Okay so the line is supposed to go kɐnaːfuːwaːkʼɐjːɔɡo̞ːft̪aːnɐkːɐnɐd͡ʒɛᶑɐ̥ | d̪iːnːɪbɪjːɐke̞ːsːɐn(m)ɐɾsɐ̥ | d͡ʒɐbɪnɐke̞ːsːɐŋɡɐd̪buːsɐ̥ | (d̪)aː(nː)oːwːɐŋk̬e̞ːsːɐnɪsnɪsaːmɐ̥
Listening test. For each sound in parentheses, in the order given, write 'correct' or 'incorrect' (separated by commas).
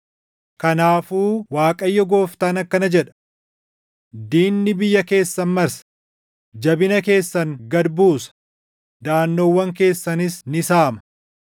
correct, correct, correct